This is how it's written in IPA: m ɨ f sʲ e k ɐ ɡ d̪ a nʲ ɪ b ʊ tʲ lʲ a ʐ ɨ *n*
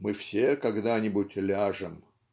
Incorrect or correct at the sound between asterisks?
incorrect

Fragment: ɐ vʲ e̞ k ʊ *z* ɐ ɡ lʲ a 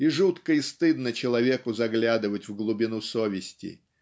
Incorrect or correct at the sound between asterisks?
correct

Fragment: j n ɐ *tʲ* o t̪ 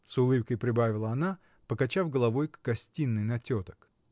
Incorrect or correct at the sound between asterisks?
correct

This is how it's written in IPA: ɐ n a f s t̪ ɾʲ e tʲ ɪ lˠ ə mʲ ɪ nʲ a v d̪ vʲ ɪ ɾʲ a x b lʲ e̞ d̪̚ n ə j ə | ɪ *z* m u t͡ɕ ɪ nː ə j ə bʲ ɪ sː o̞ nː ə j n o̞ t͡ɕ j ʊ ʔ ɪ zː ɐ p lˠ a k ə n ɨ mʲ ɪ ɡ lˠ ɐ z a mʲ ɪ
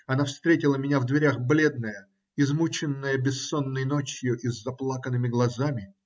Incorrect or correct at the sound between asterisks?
correct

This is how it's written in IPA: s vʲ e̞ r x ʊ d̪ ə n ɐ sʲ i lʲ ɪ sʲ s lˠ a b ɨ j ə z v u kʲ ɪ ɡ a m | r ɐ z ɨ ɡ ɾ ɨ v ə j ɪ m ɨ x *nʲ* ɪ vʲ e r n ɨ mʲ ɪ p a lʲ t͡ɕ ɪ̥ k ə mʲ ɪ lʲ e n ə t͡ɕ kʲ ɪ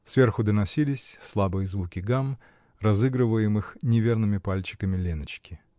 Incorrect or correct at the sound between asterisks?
correct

